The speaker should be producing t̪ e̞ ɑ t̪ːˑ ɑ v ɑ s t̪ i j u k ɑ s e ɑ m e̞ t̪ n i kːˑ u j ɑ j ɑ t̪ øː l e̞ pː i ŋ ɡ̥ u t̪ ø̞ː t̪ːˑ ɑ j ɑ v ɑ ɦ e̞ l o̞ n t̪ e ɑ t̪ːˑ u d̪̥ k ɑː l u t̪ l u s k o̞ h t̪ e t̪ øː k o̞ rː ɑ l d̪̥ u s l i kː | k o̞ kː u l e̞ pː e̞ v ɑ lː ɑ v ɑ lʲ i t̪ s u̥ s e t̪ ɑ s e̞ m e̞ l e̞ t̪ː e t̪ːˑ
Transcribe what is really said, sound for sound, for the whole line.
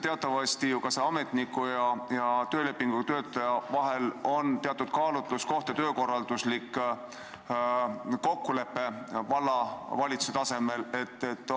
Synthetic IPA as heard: t̪ e̞ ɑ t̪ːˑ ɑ v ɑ s t̪ i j u k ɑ s e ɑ m e̞ t̪ n i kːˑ u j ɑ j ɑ t̪ øː l e̞ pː i ŋ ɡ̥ u t̪ ø̞ː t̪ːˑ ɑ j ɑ v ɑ ɦ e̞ l o̞ n t̪ e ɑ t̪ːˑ u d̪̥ k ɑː l u t̪ l u s k o̞ h t̪ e t̪ øː k o̞ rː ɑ l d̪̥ u s l i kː | k o̞ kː u l e̞ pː e̞ v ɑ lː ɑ v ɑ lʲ i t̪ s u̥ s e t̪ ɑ s e̞ m e̞ l e̞ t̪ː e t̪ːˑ